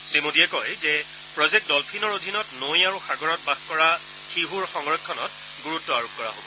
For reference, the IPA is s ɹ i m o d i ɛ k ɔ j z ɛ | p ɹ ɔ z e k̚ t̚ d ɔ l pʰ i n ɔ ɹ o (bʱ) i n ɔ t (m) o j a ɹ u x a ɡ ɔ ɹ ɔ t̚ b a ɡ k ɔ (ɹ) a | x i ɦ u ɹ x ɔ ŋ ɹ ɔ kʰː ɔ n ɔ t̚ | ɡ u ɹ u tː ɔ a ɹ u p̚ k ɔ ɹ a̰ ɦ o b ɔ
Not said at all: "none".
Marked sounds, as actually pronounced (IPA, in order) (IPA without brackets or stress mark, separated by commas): dʱ, n, ɹ